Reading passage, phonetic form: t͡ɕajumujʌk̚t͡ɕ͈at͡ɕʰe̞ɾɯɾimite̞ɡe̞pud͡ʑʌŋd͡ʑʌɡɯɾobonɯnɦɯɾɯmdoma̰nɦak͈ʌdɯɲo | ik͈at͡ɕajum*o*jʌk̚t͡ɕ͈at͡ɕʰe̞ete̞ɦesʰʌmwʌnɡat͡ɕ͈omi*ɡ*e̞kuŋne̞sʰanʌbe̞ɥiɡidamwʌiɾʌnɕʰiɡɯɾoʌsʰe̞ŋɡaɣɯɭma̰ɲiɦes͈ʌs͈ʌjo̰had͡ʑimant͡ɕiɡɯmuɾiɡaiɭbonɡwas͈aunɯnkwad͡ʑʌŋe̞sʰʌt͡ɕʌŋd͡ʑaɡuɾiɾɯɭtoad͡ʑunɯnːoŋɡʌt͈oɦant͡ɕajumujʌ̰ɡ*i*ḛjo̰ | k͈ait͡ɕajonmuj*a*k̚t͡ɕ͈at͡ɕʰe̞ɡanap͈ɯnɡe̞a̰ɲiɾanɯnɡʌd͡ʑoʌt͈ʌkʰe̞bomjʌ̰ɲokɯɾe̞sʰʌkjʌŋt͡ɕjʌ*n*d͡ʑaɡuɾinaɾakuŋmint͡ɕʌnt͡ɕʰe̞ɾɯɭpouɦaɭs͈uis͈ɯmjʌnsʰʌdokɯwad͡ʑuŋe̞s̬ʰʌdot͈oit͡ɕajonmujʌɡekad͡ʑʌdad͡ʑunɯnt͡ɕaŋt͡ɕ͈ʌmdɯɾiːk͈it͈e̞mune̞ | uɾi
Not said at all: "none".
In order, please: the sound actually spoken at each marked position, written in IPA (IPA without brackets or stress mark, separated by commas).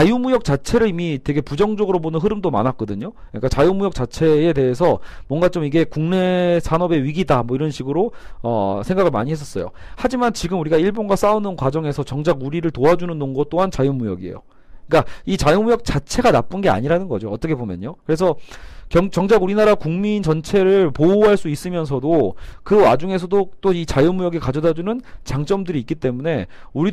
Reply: u, ɡ, i, ʌ, ŋ